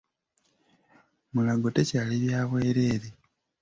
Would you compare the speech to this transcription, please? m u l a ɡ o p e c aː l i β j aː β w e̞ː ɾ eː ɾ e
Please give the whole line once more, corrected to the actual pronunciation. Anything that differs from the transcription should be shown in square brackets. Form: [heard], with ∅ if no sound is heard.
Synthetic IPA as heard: m u l a ɡ o [t] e c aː l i β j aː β w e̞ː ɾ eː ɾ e